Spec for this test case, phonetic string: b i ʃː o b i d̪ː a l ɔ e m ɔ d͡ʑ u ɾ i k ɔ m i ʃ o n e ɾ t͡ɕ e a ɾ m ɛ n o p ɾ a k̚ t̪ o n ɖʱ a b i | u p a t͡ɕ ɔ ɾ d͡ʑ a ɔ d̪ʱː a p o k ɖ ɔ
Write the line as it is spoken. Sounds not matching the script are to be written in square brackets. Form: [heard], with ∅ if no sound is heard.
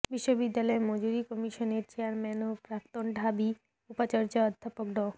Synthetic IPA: b i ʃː o b i d̪ː a l ɔ e m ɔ d͡ʑ u ɾ i k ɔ m i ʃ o n e ɾ t͡ɕ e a ɾ m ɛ n o p ɾ a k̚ t̪ o n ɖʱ a b i | u p a t͡ɕ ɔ ɾ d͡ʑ a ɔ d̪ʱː a p o k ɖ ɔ